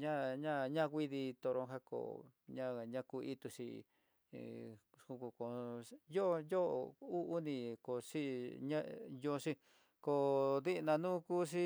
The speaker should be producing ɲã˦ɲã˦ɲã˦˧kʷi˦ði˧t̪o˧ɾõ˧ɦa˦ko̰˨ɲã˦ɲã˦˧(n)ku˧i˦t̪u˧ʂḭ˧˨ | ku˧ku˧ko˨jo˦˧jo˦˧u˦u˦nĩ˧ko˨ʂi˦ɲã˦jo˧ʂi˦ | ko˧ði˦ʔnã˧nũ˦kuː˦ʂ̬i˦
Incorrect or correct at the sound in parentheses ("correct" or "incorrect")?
incorrect